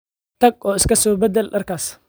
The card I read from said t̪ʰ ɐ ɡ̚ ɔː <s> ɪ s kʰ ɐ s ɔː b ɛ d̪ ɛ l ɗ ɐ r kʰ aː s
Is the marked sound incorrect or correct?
incorrect